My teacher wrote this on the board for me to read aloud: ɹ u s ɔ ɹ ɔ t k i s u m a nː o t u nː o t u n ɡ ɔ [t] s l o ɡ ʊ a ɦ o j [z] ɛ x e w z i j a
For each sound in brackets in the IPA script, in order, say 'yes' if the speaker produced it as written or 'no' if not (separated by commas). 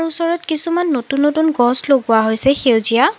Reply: no, no